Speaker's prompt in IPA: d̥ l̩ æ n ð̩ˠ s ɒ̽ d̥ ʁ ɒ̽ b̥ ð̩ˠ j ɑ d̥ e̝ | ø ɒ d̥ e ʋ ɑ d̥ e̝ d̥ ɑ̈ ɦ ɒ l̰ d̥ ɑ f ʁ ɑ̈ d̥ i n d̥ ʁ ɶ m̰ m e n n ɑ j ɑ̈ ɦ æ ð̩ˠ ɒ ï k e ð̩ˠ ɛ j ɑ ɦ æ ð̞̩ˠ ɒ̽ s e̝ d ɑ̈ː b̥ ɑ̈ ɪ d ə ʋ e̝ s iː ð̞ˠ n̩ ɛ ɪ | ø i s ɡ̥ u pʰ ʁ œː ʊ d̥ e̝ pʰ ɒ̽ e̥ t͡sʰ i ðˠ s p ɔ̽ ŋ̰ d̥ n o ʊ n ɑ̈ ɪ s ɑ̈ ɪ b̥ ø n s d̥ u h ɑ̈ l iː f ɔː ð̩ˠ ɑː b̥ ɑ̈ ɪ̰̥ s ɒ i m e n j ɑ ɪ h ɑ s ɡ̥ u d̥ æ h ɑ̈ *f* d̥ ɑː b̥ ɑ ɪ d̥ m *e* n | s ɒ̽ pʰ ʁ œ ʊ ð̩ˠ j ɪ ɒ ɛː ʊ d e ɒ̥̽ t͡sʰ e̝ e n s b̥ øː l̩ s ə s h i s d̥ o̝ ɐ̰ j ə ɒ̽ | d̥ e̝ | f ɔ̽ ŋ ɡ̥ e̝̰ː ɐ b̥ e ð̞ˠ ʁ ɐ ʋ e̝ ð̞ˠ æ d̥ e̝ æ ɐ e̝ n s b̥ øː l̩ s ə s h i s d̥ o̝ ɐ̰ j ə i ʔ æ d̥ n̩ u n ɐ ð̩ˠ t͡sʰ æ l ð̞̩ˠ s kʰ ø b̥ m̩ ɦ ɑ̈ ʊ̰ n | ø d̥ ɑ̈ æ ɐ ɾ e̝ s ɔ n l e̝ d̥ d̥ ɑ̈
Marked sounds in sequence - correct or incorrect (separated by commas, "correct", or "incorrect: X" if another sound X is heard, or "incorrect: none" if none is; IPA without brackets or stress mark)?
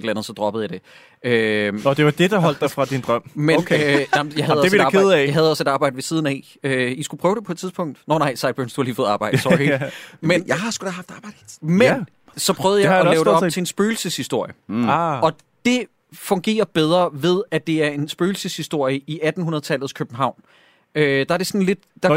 correct, correct